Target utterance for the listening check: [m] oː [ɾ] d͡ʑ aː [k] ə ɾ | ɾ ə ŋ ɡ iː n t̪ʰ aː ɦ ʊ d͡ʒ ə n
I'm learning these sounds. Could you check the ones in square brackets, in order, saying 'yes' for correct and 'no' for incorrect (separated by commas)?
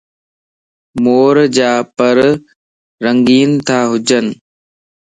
yes, yes, no